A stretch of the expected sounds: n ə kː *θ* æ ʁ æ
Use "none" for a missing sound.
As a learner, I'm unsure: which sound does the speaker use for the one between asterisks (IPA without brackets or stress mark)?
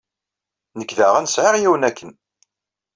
ð